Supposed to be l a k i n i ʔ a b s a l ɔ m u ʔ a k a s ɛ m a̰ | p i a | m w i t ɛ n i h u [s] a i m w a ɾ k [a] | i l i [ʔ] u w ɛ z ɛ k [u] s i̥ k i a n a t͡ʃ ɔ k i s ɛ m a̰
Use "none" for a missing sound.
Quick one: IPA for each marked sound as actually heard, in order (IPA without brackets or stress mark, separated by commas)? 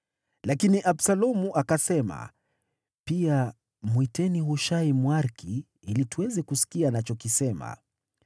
ʃ, i, t, u